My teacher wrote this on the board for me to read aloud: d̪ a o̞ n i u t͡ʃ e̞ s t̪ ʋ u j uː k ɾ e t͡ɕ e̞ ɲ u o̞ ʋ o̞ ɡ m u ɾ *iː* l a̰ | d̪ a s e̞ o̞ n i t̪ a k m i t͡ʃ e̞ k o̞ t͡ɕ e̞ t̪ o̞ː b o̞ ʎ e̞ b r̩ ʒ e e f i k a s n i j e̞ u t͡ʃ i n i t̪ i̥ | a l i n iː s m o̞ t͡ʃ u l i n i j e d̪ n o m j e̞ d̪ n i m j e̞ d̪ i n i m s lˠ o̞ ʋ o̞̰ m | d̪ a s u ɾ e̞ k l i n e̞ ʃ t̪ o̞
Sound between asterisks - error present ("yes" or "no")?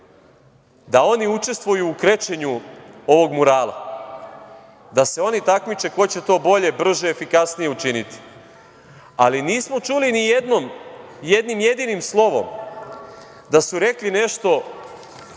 yes